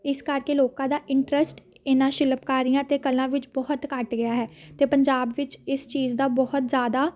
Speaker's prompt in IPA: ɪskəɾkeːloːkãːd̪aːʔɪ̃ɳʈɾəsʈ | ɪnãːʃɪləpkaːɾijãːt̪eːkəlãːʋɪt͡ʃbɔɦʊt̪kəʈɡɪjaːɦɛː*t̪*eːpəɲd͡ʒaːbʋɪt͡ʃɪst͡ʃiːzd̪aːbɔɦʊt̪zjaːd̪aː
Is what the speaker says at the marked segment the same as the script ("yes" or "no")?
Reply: yes